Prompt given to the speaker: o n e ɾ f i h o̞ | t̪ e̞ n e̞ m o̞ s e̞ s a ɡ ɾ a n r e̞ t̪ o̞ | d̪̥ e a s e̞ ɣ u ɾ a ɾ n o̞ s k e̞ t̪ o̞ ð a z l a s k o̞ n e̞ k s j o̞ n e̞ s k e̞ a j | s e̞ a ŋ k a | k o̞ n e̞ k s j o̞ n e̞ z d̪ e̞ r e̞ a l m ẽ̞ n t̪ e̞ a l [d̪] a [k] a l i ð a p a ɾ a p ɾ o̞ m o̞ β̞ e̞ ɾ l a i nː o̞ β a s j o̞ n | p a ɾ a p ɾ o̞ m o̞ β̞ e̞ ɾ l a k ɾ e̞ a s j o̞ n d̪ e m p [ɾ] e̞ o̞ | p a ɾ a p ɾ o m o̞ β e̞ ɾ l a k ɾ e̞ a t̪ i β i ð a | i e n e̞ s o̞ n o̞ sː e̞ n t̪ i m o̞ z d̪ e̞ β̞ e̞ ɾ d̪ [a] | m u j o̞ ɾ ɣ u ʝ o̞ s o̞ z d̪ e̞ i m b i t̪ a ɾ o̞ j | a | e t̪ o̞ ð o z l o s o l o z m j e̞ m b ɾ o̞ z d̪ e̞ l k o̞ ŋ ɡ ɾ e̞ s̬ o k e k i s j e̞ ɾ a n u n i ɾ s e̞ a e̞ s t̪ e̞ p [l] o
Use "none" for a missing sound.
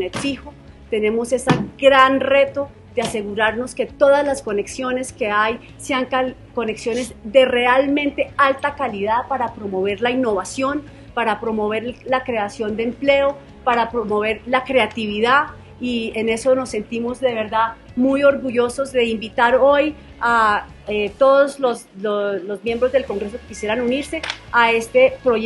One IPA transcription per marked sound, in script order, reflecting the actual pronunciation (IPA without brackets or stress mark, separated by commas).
t̪, k, l, a, ɾ